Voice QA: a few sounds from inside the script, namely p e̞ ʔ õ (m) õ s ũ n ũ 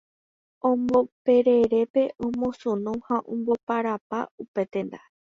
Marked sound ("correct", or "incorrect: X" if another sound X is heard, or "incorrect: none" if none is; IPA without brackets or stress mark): correct